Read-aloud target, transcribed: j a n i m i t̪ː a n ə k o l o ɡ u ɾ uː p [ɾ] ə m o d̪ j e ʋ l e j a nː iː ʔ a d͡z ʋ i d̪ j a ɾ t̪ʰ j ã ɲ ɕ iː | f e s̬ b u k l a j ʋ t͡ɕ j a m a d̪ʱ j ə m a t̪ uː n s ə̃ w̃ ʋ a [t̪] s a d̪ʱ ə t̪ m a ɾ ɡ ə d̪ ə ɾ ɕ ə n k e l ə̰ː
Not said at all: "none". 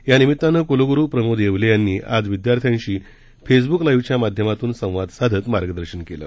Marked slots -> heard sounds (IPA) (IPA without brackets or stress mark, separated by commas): ɾ, d̪